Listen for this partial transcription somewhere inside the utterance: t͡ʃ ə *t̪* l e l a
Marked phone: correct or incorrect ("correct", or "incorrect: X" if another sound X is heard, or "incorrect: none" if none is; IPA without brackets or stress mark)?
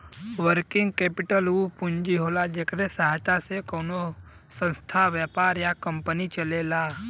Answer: incorrect: none